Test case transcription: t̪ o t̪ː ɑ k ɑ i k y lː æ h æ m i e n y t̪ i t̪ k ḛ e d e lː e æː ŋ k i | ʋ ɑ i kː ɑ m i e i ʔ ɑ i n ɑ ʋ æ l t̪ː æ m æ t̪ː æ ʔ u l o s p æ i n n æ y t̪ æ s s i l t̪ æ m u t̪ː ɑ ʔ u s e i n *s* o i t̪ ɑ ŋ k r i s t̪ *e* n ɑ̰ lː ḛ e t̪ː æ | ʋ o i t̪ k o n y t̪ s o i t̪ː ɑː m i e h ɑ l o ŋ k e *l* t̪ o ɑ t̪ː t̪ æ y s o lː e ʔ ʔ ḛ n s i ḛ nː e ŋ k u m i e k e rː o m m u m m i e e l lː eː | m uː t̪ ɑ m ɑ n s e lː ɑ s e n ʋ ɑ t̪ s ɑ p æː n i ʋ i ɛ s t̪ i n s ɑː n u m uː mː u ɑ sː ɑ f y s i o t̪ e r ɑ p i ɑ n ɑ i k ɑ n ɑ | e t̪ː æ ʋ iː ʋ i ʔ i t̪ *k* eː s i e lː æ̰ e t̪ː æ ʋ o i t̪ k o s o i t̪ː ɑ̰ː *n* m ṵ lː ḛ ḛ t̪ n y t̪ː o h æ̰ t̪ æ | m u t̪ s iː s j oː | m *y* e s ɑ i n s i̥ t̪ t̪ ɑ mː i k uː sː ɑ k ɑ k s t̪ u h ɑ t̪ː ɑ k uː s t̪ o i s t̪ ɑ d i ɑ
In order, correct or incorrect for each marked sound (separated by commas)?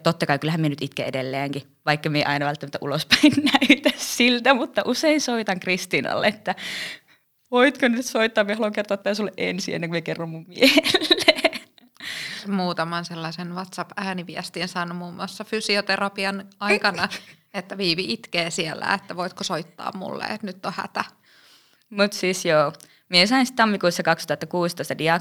correct, incorrect, incorrect, correct, incorrect, incorrect